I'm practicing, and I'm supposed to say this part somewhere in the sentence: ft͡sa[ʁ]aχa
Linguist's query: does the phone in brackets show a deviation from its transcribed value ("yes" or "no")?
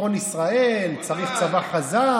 yes